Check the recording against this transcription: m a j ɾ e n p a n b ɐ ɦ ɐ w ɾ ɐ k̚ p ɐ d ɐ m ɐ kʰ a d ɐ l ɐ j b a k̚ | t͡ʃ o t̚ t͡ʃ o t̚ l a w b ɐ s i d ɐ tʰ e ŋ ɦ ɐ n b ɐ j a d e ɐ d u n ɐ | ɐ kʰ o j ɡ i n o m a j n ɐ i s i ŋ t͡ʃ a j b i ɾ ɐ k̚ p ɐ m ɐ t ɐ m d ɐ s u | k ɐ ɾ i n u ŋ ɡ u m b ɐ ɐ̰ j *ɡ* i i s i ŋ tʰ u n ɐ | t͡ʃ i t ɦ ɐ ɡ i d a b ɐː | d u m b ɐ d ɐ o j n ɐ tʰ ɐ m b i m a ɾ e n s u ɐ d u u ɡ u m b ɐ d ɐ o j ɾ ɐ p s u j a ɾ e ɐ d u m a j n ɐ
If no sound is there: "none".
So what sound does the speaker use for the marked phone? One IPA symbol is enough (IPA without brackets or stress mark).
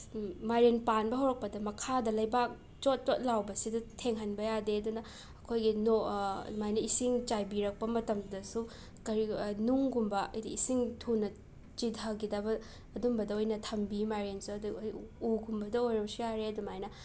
d